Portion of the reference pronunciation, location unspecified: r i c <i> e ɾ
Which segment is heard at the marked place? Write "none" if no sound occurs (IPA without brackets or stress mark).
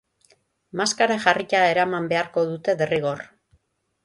a